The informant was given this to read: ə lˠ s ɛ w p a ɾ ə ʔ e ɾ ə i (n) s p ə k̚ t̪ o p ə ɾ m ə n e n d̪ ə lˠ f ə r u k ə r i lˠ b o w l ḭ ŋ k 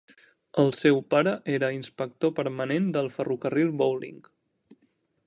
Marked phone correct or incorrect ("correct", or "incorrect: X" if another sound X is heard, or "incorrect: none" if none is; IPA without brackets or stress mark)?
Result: correct